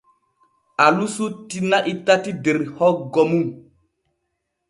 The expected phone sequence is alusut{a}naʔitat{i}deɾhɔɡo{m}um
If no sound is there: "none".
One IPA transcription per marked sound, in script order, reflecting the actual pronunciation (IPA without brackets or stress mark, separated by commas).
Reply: i, i, m